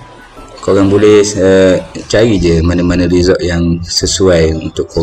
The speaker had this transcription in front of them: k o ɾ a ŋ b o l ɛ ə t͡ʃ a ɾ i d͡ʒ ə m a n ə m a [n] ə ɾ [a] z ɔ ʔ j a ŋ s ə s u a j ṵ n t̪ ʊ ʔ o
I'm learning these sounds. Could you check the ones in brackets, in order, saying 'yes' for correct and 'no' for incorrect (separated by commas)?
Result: yes, no